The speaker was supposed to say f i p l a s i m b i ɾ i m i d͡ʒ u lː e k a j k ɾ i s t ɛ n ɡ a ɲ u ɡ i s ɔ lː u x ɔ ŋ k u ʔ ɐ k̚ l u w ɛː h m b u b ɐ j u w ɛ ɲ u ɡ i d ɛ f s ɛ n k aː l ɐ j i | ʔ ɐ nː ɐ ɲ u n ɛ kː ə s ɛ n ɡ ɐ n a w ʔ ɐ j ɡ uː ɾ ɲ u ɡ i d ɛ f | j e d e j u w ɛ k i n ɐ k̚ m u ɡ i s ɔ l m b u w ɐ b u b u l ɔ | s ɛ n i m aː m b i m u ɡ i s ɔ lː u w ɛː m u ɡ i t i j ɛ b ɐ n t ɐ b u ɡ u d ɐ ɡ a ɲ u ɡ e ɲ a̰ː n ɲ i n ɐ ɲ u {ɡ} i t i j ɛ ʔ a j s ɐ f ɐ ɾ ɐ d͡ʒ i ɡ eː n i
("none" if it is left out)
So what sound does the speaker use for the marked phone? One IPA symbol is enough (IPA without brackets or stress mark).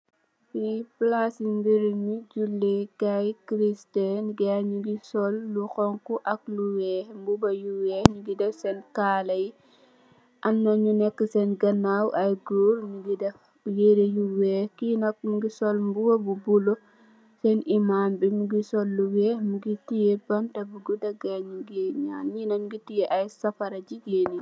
ɡ